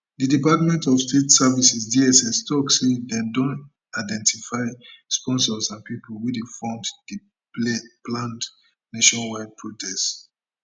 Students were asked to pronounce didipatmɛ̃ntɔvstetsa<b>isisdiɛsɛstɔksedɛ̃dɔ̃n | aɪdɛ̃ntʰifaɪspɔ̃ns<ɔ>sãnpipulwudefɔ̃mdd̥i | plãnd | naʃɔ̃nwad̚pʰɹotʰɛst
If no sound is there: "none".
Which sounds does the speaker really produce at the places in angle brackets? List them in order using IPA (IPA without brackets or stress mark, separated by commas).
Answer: v, ɔ